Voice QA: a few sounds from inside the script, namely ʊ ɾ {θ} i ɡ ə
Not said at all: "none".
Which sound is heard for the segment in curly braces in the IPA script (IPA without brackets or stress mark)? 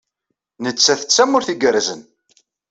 θ